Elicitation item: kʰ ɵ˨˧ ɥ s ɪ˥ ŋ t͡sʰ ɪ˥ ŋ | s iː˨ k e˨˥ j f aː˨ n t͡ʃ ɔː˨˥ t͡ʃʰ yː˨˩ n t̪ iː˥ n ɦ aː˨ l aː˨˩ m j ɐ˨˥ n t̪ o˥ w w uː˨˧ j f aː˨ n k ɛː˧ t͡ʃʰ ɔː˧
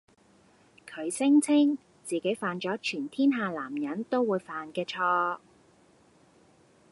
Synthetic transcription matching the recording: kʰ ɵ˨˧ ɥ s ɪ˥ ŋ t͡sʰ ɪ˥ ŋ | t͡s iː˨ k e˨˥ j f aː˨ n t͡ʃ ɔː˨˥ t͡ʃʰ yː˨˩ n t̪ʰ iː˥ n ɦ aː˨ l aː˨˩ m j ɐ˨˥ n t̪ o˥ w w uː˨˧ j f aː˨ n k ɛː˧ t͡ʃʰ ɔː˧